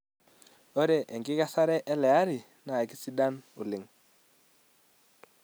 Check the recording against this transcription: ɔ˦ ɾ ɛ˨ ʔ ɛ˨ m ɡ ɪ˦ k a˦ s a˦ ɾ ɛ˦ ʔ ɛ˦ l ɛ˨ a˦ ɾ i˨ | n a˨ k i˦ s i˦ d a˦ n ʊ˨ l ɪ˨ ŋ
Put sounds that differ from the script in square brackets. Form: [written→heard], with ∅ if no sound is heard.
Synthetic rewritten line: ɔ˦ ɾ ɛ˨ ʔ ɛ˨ [m→ŋ] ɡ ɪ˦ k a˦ s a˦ ɾ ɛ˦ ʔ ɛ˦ l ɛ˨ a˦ ɾ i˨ | n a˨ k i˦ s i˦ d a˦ n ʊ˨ l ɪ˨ ŋ